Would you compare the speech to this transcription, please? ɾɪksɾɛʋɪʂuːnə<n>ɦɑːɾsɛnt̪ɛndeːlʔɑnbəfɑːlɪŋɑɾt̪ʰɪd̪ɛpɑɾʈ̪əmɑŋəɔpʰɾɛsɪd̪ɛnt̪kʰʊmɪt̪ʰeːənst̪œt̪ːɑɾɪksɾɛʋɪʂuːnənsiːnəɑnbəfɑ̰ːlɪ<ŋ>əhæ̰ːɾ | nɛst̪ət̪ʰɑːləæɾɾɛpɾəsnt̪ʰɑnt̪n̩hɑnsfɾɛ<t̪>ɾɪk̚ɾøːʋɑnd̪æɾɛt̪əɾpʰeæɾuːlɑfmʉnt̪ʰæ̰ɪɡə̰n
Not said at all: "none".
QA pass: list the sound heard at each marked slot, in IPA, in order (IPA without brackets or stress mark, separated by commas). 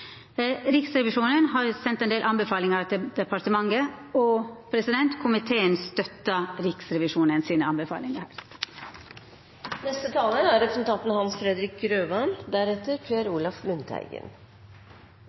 n, ŋ, d̪